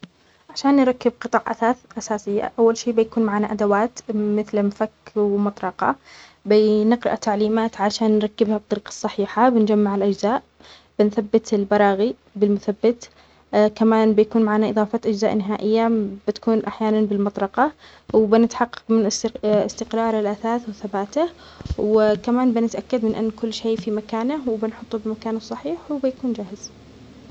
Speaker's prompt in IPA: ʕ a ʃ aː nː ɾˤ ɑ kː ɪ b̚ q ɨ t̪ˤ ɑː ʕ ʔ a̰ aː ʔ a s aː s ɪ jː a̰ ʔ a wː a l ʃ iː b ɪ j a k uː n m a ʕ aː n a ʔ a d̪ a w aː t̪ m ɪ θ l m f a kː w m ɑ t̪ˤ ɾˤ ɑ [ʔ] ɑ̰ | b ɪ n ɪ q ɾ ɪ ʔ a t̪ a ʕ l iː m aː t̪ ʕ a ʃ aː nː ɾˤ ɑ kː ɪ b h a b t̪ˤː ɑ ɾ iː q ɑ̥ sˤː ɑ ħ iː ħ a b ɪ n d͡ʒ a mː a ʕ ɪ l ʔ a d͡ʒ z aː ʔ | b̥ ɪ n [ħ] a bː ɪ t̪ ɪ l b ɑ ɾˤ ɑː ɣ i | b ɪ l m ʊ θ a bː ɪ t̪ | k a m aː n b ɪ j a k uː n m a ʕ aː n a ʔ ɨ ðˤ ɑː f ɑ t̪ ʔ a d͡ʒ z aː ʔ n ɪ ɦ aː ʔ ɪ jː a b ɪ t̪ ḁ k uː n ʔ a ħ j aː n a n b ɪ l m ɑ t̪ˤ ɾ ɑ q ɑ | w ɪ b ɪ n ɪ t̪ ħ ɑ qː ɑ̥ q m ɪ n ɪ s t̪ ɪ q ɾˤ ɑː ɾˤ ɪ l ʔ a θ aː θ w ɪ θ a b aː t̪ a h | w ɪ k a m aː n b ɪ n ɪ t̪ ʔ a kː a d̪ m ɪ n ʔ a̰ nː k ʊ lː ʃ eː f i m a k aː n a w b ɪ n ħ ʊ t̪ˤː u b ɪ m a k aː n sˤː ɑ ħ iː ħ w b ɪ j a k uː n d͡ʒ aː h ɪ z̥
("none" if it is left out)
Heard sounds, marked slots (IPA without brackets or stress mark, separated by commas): q, θ